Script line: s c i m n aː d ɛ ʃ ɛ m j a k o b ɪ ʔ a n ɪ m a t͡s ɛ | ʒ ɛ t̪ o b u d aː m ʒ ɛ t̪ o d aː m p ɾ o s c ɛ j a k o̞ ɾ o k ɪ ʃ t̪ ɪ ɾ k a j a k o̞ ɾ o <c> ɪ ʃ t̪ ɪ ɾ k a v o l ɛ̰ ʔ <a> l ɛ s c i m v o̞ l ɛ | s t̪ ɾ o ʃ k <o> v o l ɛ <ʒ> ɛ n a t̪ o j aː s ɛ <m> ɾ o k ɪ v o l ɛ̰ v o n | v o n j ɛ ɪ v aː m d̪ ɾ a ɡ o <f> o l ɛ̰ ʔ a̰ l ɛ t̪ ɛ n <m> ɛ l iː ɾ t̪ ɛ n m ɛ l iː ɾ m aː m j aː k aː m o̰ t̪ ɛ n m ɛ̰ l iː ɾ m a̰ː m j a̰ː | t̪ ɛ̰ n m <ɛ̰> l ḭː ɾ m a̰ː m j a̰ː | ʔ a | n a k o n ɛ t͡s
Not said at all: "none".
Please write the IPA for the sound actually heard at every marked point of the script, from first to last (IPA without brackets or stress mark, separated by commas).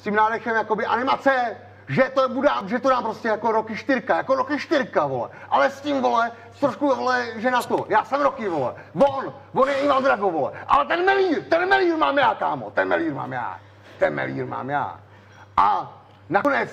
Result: k, a, u, ʒ, m, v, m, ɛ̰